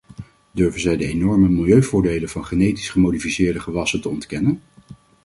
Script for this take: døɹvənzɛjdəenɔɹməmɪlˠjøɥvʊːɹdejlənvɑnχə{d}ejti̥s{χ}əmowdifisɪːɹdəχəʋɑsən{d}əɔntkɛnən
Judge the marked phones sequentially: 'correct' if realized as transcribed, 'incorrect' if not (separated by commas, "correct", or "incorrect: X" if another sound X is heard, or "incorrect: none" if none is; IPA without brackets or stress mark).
incorrect: n, correct, incorrect: t